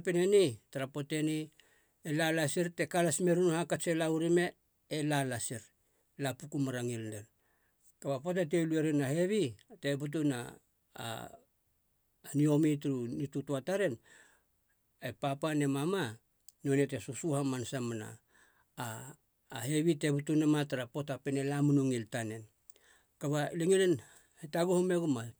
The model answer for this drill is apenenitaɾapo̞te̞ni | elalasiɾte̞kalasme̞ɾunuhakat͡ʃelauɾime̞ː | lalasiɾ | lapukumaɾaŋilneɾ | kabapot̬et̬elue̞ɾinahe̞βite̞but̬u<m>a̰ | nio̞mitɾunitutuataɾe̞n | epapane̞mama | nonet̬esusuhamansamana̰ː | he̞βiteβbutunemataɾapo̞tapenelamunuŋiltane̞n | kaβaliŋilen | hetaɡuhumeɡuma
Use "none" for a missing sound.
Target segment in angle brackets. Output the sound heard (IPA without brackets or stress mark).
n